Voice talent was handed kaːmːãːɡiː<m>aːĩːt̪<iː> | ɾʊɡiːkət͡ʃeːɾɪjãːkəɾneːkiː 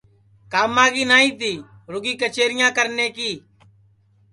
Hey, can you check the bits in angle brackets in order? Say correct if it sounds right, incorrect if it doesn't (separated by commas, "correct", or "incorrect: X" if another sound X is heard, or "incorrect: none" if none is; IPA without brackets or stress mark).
incorrect: n, correct